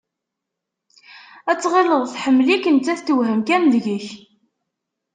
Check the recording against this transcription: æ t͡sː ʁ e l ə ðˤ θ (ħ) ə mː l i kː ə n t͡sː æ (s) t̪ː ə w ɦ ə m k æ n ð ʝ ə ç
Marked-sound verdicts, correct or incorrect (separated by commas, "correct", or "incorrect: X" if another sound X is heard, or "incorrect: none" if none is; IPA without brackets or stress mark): correct, incorrect: θ